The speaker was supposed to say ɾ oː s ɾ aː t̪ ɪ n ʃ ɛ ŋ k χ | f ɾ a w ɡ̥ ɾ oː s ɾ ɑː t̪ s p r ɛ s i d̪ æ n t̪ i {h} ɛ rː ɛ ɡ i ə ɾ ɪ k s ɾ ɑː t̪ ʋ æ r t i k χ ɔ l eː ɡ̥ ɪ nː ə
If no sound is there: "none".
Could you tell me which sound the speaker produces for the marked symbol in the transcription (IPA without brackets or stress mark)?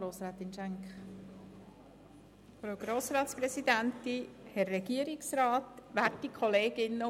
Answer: h